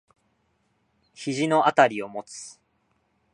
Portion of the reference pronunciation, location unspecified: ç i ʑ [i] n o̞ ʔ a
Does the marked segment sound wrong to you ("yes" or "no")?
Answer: no